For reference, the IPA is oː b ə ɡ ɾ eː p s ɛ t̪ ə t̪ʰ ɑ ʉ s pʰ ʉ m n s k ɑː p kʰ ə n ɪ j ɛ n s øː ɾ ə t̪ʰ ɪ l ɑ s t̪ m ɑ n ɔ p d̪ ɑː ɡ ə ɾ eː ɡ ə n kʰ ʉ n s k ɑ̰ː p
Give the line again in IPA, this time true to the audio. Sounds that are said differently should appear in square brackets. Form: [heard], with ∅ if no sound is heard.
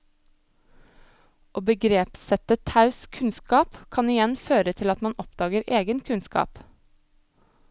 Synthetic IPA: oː b ə ɡ ɾ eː p s ɛ t̪ ə t̪ʰ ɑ ʉ s [kʰ] ʉ [∅] n s k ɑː p kʰ [ɑ] n ɪ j ɛ n [f] øː ɾ ə t̪ʰ ɪ l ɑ [∅] t̪ m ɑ n ɔ p d̪ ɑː ɡ ə ɾ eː ɡ ə n kʰ ʉ n s k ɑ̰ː p